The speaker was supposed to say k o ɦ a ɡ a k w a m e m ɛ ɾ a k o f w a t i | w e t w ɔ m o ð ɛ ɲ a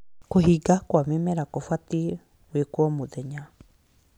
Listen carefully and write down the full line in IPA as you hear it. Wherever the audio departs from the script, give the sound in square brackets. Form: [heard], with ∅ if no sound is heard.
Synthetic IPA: k o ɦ [i] ɡ a k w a m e m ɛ ɾ a k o f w a t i | w e [k] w ɔ m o ð ɛ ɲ a